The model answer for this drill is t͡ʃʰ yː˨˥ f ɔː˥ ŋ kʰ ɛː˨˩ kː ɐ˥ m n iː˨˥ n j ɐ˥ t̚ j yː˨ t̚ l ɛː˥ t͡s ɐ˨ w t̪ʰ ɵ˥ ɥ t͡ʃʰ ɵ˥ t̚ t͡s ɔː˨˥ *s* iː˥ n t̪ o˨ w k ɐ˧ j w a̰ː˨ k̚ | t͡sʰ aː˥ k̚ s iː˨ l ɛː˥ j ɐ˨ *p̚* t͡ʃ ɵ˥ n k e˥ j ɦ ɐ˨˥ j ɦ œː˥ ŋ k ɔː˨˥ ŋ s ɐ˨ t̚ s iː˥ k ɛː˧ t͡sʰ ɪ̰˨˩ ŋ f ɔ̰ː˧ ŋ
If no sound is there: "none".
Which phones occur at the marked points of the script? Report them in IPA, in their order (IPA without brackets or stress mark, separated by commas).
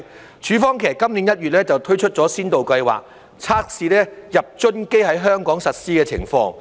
s, p̚